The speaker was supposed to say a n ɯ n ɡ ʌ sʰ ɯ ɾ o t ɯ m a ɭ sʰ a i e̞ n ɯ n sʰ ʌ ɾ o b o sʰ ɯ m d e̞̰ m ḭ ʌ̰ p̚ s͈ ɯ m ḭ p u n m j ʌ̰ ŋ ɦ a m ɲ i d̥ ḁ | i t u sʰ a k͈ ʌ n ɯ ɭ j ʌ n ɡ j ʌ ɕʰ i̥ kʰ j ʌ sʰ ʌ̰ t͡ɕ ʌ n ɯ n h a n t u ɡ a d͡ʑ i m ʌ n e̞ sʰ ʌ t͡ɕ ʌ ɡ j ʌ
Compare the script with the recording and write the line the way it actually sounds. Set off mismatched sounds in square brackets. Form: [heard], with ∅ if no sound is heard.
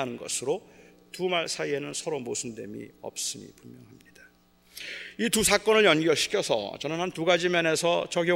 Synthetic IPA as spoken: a n ɯ n ɡ ʌ sʰ ɯ ɾ o t [u] m a ɭ sʰ a i e̞ n ɯ n sʰ ʌ ɾ o [m] o sʰ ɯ [n] d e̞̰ m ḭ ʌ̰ p̚ s͈ ɯ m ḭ p u [m] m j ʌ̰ ŋ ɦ a m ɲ i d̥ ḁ | i t u sʰ a k͈ ʌ n ɯ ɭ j ʌ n ɡ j ʌ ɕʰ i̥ kʰ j ʌ sʰ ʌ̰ t͡ɕ ʌ n ɯ n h a n t u ɡ a d͡ʑ i m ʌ n e̞ sʰ ʌ t͡ɕ ʌ ɡ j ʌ